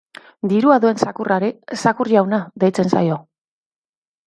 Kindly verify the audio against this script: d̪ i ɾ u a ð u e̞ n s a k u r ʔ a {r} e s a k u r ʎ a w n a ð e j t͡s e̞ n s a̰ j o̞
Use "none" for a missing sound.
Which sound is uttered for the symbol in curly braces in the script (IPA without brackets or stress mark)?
ɾ